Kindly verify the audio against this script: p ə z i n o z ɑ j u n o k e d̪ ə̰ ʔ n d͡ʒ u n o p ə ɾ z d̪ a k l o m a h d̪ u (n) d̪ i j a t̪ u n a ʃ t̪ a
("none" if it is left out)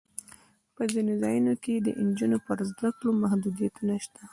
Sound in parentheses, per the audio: none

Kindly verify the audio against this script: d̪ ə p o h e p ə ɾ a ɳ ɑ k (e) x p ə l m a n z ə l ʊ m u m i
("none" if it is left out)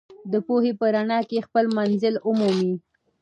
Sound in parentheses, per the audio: e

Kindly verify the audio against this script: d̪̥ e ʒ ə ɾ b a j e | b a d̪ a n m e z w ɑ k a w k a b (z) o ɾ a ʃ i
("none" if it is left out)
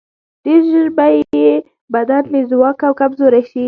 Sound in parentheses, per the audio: z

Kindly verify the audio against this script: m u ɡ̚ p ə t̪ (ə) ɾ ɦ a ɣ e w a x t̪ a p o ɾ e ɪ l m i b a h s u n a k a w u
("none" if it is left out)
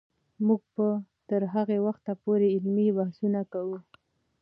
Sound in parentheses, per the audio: ə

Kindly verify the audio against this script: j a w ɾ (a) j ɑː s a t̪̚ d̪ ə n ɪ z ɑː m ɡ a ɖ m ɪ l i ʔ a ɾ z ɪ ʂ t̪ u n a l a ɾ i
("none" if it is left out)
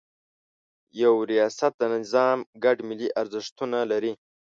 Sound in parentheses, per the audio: i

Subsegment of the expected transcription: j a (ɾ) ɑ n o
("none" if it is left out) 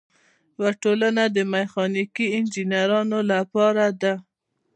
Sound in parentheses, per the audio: ɾ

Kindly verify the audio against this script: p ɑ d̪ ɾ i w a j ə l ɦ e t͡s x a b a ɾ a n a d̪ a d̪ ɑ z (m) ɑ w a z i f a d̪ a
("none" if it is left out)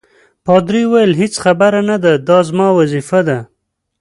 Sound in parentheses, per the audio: m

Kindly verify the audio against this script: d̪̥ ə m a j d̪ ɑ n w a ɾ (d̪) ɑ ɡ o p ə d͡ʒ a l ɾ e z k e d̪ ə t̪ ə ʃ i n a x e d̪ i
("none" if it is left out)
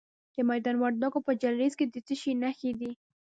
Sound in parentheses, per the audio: d̪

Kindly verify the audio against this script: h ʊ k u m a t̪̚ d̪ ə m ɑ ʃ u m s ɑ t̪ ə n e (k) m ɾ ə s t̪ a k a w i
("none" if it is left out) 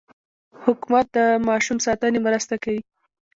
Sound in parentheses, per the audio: none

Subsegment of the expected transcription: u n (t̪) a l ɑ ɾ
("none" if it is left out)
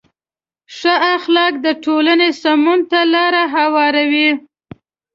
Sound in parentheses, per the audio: t̪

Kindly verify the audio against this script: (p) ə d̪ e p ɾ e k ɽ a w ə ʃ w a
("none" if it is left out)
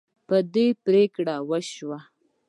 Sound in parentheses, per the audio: p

